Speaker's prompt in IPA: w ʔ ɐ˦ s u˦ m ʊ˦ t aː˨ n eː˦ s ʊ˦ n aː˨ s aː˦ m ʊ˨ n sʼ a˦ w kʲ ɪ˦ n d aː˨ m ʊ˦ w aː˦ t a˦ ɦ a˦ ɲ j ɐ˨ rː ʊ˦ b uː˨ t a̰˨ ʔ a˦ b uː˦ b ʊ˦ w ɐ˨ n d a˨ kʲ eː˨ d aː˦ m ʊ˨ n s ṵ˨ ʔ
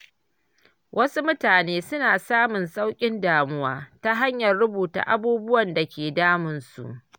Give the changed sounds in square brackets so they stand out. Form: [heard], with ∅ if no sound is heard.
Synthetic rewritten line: w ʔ ɐ˦ s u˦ m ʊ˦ t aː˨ n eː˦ s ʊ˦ n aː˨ s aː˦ m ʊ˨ n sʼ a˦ w [kʲʼ] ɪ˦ n d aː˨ m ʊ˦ w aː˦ t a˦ ɦ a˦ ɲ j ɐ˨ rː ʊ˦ b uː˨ t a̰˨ ʔ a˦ b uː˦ b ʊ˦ w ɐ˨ n d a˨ kʲ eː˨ d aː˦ m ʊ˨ n s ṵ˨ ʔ